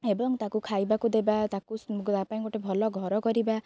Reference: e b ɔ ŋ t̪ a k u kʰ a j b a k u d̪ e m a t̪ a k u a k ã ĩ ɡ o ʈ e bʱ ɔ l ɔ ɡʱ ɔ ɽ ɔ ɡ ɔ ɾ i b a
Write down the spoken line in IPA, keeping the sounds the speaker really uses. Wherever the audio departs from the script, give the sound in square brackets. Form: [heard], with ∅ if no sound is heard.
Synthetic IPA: e b ɔ ŋ t̪ a k u kʰ a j b a k u d̪ e [b] a t̪ a k u a [p] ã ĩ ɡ o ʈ e bʱ ɔ l ɔ ɡʱ ɔ [ɾ] ɔ [k] ɔ ɾ i b a